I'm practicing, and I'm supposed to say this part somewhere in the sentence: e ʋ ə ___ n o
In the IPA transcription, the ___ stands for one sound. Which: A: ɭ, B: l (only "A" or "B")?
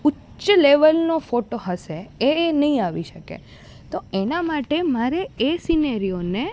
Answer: B